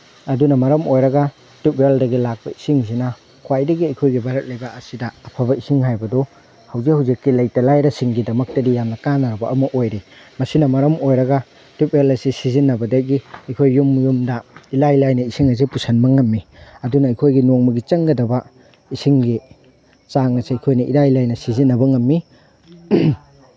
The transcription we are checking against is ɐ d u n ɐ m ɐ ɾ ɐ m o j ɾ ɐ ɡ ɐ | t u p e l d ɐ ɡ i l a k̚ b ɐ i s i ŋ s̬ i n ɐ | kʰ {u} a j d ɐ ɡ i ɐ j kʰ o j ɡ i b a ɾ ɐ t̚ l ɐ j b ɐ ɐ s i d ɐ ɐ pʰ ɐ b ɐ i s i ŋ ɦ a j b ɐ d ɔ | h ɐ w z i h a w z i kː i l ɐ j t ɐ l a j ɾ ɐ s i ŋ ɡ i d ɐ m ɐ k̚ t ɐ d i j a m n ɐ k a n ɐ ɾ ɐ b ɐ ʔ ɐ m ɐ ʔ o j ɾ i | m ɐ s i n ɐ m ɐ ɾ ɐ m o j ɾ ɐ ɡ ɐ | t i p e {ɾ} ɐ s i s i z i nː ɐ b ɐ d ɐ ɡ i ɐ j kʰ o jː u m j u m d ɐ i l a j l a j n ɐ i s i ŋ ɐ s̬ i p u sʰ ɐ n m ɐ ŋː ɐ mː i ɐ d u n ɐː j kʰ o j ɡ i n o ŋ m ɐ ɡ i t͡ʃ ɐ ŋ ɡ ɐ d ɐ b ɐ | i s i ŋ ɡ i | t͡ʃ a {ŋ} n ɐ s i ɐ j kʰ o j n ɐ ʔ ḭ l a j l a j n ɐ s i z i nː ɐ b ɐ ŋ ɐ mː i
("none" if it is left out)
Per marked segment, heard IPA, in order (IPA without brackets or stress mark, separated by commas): w, l, ŋ